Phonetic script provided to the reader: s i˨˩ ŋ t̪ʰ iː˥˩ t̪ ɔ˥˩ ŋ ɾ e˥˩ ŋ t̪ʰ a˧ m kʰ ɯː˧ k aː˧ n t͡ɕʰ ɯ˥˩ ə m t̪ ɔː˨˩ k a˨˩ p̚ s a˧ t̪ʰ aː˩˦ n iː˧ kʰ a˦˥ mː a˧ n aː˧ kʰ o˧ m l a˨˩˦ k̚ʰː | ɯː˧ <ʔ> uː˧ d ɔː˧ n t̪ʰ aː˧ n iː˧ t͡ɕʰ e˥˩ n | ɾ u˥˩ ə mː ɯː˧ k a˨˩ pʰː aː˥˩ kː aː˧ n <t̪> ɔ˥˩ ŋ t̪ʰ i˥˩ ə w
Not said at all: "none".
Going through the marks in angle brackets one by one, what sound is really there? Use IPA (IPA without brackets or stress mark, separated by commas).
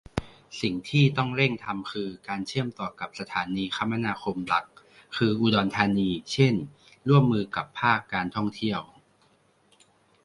ʔ, t̪ʰ